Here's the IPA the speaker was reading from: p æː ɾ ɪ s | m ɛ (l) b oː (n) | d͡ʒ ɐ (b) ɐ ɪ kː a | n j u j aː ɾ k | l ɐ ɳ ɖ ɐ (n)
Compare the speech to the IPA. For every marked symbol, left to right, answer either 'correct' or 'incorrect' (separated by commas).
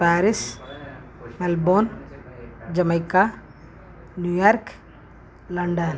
correct, correct, incorrect, correct